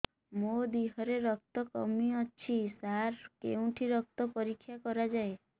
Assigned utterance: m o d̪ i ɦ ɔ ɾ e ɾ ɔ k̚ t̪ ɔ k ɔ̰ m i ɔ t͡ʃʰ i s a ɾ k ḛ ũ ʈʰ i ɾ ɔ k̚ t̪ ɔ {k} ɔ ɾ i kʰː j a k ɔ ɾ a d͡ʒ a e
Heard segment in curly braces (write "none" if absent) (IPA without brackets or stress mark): p